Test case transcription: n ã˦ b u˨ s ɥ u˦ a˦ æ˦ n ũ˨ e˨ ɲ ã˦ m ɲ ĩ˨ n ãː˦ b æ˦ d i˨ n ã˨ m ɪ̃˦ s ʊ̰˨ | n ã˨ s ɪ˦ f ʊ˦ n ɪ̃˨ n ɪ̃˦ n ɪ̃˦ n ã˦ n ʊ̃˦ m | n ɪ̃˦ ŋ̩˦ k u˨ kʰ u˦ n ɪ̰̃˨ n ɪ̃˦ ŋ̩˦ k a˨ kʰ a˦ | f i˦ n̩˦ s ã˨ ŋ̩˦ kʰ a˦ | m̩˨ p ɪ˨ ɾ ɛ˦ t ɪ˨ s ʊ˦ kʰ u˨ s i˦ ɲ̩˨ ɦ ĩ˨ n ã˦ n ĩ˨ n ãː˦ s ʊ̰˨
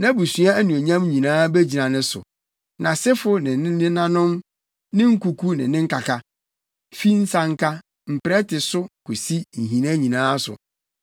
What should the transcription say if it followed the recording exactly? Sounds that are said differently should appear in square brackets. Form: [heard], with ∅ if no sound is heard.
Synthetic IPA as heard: n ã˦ b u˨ s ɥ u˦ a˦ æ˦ n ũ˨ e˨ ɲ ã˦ m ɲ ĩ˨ n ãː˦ b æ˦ [d͡ʑ] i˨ n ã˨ [n] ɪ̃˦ s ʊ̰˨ | n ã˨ s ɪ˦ f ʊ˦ n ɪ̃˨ n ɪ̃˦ n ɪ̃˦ n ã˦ n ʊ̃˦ m | n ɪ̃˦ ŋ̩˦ k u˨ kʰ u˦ n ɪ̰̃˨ n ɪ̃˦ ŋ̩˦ k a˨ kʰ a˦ | f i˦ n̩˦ s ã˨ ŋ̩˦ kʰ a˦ | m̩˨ p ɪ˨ ɾ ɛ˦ t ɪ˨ s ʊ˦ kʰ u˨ s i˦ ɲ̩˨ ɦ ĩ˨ n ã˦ [ɲ] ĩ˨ n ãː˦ s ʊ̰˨